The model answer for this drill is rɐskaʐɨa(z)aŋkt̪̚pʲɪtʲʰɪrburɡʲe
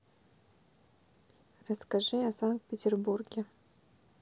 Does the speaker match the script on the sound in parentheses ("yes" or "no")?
no